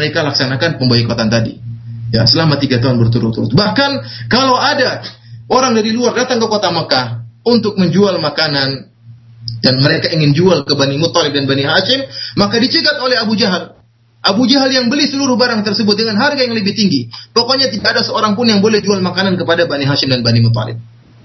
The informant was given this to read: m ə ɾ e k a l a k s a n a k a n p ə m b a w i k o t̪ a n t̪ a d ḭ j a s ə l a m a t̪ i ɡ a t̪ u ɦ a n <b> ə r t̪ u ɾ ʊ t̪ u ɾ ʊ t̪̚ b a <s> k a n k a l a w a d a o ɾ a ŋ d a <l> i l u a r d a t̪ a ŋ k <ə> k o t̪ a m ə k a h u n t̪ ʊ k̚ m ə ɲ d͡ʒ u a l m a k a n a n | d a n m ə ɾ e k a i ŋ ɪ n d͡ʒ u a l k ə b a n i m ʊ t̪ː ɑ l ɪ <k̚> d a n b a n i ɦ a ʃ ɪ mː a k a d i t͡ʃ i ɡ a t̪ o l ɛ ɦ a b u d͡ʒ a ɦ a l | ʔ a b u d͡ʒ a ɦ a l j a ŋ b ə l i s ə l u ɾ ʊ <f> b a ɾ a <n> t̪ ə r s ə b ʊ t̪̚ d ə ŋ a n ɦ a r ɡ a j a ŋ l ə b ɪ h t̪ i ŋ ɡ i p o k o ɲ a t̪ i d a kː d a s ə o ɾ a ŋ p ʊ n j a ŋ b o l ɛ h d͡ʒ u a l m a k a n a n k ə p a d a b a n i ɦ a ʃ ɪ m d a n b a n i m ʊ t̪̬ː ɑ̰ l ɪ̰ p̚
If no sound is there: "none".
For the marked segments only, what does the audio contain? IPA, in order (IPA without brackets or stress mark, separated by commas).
b, h, ɾ, ə, p̚, h, ŋ